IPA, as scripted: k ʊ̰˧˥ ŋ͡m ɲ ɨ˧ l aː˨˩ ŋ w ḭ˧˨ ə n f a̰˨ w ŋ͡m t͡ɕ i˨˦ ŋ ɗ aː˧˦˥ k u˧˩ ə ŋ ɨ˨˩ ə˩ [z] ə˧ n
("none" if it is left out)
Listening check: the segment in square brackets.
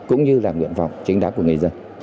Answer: z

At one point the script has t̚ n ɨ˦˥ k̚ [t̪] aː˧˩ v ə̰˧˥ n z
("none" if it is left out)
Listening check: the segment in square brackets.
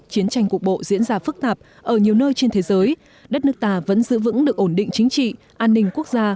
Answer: t̪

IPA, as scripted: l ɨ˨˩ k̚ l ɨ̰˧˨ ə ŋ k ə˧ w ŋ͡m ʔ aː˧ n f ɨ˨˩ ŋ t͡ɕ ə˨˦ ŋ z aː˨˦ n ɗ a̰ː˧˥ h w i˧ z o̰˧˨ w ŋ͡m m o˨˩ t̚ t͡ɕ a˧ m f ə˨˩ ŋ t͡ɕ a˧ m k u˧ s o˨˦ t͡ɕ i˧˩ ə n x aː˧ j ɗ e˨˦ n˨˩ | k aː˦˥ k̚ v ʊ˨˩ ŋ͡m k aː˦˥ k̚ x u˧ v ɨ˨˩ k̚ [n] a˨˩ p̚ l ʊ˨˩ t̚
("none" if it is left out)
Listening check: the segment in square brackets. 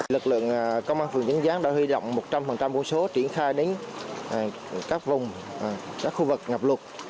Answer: ŋ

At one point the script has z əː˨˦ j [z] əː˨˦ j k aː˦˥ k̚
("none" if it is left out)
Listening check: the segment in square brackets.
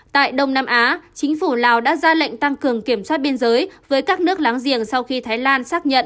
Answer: v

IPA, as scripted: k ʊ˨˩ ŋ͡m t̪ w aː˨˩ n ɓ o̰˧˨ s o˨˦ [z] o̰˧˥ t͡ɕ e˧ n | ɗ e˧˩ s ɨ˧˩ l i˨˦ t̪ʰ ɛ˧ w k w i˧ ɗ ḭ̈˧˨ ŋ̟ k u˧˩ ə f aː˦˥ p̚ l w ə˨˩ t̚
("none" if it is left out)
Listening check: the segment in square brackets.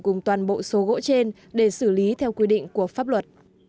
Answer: ɣ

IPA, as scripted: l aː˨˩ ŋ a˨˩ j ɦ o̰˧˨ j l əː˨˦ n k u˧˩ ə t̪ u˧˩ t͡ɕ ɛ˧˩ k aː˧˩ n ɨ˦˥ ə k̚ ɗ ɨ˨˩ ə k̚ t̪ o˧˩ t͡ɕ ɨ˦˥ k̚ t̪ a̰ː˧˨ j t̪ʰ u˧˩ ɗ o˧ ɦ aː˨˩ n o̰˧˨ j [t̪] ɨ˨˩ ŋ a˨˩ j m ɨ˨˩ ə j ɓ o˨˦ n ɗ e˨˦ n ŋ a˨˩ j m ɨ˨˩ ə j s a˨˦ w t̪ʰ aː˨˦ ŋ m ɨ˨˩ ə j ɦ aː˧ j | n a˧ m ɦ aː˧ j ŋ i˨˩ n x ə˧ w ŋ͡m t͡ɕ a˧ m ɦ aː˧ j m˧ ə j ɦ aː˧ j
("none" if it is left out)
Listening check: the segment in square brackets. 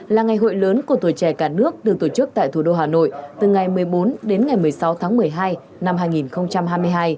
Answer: t̪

